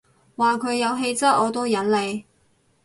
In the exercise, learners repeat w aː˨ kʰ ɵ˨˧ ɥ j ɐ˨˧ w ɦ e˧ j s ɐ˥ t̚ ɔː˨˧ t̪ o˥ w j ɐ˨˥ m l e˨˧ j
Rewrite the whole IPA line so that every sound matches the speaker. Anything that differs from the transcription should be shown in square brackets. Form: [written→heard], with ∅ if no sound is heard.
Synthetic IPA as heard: w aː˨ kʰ ɵ˨˧ ɥ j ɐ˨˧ w ɦ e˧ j [s→t͡s] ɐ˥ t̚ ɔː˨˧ t̪ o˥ w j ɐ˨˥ [m→n] l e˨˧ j